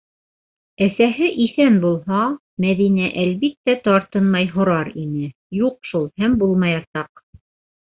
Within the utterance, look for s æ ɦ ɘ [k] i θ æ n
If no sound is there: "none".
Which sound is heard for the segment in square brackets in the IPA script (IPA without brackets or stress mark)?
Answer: ʔ